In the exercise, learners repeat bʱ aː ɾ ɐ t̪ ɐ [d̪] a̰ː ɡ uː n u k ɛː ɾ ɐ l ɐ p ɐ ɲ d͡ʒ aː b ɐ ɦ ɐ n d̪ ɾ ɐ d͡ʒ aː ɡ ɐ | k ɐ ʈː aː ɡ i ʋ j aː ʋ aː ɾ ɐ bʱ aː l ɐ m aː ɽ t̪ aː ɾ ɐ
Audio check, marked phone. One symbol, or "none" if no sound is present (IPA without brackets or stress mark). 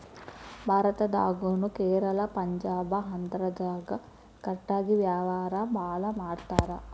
d̪